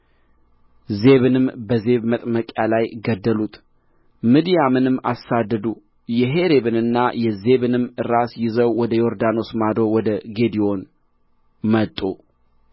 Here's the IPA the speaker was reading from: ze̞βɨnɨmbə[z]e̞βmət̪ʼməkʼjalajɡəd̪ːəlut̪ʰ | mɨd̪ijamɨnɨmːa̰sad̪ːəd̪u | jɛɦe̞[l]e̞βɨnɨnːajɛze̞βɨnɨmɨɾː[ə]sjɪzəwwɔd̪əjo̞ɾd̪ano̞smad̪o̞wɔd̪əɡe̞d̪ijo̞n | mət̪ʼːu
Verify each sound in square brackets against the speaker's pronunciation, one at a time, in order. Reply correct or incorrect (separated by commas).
correct, incorrect, incorrect